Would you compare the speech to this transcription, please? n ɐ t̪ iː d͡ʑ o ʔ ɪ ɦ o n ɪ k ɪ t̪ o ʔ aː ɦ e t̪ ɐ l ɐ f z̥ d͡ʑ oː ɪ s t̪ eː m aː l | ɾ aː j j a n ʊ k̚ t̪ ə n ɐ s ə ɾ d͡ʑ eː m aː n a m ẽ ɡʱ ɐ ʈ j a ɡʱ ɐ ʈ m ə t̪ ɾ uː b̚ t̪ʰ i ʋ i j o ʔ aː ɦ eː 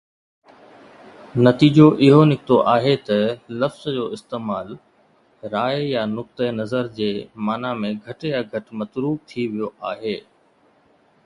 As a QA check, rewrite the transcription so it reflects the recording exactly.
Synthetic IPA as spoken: n ɐ t̪ iː d͡ʑ o ʔ ɪ ɦ o n ɪ k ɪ t̪ o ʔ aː ɦ e t̪ ɐ l ɐ f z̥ d͡ʑ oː ɪ s t̪ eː m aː l | ɾ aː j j a n ʊ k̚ t̪ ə n ɐ z ə ɾ d͡ʑ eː m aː n a m ẽ ɡʱ ɐ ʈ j a ɡʱ ɐ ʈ m ɐ t̪ ɾ uː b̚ t̪ʰ i ʋ i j o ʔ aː ɦ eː